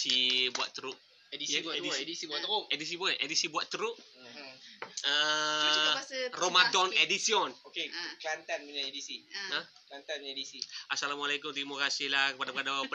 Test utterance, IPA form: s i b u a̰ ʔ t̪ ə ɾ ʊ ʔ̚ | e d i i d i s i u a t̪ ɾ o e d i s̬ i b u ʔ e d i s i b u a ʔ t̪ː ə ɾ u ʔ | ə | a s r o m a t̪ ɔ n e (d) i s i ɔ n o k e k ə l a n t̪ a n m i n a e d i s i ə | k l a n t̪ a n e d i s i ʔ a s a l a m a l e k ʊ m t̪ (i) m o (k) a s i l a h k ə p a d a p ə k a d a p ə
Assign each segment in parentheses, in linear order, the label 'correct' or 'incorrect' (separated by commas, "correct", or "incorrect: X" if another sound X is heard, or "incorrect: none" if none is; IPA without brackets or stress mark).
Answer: correct, correct, correct